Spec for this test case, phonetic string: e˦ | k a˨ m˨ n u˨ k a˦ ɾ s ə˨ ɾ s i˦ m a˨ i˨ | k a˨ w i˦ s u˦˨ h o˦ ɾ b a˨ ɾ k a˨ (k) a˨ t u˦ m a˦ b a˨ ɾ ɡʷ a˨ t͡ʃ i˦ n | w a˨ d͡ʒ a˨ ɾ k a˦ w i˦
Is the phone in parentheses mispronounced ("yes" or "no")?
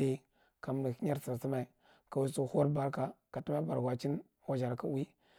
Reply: no